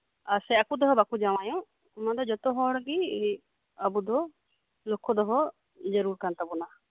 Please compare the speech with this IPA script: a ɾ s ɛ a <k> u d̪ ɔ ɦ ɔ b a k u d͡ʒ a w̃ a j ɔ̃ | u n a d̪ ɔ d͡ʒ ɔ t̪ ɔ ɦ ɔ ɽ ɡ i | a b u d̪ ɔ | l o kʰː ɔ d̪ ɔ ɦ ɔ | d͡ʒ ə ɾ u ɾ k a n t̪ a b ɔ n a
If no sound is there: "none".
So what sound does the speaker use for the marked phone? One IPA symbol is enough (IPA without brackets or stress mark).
k